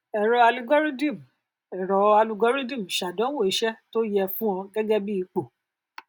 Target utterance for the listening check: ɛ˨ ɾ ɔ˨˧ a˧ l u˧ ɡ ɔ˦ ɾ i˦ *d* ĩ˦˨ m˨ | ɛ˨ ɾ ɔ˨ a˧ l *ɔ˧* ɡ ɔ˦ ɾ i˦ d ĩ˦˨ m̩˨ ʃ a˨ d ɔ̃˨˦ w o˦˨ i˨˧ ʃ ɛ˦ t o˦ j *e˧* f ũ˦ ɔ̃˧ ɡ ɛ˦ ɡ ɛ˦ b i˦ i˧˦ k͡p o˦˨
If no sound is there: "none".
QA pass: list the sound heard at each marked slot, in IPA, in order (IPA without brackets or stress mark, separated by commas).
d, u˧, ɛ˧